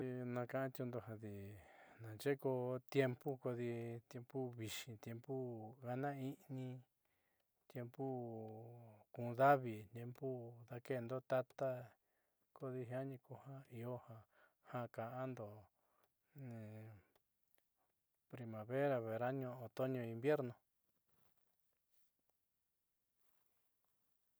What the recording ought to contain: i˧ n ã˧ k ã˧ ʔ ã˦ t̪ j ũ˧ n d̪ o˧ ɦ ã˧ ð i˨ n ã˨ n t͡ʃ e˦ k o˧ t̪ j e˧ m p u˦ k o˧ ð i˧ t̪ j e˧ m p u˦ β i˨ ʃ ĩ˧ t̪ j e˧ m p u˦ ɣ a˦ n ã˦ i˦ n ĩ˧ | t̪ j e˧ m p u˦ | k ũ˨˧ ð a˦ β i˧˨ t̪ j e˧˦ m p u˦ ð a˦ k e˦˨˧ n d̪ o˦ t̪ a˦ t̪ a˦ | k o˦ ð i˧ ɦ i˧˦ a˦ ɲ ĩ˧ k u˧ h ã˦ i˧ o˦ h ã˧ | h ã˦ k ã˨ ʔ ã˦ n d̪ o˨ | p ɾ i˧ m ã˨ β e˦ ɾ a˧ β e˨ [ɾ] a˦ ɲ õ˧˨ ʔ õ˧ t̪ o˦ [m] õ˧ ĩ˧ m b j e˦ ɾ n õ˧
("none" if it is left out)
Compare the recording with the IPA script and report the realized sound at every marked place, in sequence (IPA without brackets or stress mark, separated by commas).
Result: ɾ, ɲ